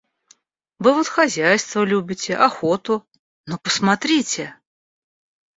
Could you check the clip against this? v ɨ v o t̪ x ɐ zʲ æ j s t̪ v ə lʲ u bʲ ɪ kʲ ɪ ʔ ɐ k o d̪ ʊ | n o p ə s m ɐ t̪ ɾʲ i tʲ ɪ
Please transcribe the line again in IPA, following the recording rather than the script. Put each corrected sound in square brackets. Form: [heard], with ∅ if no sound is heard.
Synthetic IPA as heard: v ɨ v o t̪ x ɐ zʲ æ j s t̪ v ə lʲ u bʲ ɪ [tʲ] ɪ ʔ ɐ [x] o [t̪] ʊ | n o p ə s m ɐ t̪ ɾʲ i tʲ ɪ

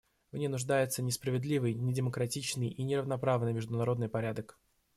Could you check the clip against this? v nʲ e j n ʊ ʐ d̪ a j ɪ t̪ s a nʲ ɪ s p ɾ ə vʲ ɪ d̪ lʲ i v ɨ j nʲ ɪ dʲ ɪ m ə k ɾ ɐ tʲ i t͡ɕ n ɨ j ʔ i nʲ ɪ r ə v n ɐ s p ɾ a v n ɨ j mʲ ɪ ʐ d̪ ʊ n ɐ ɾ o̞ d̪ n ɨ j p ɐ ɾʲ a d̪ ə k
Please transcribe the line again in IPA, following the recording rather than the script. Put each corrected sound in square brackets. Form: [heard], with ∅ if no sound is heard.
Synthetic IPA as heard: v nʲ e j n ʊ ʐ d̪ a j ɪ t̪ s [ə] nʲ ɪ s p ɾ ə vʲ ɪ d̪ lʲ i v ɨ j nʲ ɪ dʲ ɪ m ə k ɾ ɐ tʲ i t͡ɕ n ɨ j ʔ i nʲ ɪ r ə v n ɐ [∅] p ɾ a v n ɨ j mʲ ɪ ʐ d̪ ʊ n ɐ ɾ o̞ d̪ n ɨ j p ɐ ɾʲ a d̪ ə k

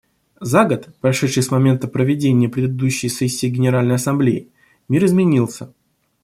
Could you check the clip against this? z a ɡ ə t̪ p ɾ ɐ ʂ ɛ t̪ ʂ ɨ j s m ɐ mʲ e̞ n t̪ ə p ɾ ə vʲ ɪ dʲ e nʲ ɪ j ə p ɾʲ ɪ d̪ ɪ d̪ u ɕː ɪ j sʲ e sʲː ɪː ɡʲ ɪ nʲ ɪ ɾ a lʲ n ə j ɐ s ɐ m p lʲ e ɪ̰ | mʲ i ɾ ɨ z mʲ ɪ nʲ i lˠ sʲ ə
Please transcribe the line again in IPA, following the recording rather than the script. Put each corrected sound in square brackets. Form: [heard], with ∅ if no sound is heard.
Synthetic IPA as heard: z a ɡ ə t̪ p ɾ ɐ ʂ ɛ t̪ ʂ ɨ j s m ɐ mʲ e̞ n t̪ ə p ɾ ə vʲ ɪ dʲ e nʲ ɪ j ə p ɾʲ ɪ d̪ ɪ d̪ u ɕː ɪ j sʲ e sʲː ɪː ɡʲ ɪ nʲ ɪ ɾ a lʲ n ə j ɐ s ɐ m [b] lʲ e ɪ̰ | mʲ i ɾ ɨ z mʲ ɪ nʲ i lˠ sʲ ə

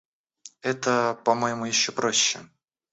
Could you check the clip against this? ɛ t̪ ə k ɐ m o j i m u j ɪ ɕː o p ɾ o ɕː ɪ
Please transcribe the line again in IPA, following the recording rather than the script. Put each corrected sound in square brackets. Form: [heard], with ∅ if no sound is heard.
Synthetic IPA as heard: ɛ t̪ ə [p] ɐ m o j [ɪ] m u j ɪ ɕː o p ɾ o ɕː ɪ

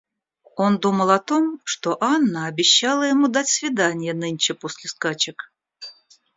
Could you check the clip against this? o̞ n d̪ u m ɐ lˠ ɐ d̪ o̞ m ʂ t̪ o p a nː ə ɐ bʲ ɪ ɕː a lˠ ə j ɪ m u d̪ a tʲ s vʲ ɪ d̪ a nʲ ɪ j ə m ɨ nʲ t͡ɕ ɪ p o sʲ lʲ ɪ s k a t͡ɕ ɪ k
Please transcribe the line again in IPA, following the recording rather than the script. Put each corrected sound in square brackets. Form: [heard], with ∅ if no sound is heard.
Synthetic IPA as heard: o̞ n d̪ u m [ə] lˠ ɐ [t̪] o̞ m ʂ t̪ o [ʔ] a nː ə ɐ bʲ ɪ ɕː a lˠ ə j ɪ m u d̪ a tʲ s vʲ ɪ d̪ a nʲ ɪ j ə [n] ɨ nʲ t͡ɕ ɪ p o sʲ lʲ ɪ s k a t͡ɕ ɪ k

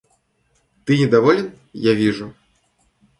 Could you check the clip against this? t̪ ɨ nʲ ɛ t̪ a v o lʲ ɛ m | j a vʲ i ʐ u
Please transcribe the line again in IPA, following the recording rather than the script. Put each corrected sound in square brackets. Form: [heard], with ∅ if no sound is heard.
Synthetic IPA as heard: t̪ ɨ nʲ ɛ [d̪] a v [ɔ] lʲ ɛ [n] | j a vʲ i ʐ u

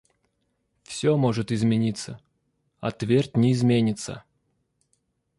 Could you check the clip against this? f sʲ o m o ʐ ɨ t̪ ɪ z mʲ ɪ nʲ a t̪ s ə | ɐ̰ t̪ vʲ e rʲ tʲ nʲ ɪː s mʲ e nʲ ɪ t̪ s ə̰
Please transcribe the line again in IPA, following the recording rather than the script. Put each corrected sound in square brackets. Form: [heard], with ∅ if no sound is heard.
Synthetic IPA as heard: f sʲ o m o ʐ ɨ t̪ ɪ z mʲ ɪ nʲ [i] t̪ s ə | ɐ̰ t̪ vʲ e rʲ tʲ nʲ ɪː [z] mʲ e nʲ ɪ t̪ s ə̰

